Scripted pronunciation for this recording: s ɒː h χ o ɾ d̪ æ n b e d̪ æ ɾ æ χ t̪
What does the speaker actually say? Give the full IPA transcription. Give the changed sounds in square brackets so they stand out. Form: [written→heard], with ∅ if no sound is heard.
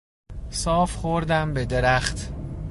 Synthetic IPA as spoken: s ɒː [h→f] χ o ɾ d̪ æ [n→m] b e d̪ [æ→e] ɾ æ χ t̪